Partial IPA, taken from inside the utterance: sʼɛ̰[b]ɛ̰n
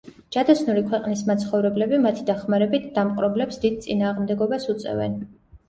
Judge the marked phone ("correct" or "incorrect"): incorrect